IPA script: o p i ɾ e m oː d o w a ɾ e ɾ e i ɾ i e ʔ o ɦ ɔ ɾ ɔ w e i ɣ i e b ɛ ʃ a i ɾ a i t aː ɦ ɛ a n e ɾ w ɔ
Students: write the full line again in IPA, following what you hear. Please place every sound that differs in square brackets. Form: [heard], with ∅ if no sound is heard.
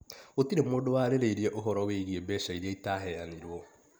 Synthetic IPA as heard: o [t] i ɾ e m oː d o w a ɾ e ɾ e i ɾ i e ʔ o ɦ ɔ ɾ ɔ w e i ɣ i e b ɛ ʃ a i ɾ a i t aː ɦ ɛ a n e ɾ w ɔ